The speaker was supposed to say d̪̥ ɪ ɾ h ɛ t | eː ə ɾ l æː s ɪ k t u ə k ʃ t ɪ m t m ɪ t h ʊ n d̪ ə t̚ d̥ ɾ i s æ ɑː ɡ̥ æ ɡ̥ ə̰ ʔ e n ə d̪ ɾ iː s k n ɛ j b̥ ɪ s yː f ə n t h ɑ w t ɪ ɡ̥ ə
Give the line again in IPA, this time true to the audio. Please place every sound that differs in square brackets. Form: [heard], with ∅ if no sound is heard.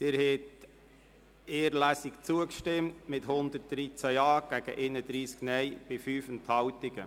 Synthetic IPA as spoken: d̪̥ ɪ ɾ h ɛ t | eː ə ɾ l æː s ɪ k [t͡s] u ə k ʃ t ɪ m t m ɪ t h ʊ n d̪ ə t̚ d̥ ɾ i [t͡s] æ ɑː ɡ̥ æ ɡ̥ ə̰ ʔ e n ə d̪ ɾ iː s k n ɛ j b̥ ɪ [f] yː f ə n t h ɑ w t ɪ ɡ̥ ə